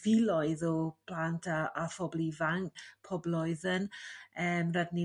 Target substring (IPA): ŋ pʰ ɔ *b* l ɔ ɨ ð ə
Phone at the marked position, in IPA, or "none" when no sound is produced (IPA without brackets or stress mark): b